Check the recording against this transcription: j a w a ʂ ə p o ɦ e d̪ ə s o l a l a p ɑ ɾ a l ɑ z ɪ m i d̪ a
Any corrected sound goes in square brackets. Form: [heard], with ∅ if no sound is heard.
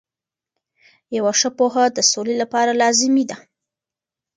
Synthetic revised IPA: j a w a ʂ ə p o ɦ [a] d̪ ə s o l [e] l a p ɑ ɾ a l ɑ z ɪ m i d̪ a